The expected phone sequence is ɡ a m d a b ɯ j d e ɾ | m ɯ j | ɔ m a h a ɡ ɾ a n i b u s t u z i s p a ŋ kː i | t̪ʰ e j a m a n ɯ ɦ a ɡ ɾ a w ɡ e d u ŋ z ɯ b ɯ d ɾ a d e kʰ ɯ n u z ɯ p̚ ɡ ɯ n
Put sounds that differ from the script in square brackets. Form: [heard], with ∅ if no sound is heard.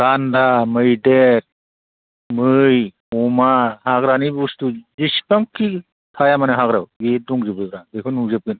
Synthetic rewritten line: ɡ a [n] d a [m] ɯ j d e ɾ | m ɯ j | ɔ m a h a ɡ ɾ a n i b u s t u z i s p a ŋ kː i | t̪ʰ [a] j a m a n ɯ ɦ a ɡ ɾ a w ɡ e d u ŋ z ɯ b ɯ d ɾ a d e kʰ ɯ n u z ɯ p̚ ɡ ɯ n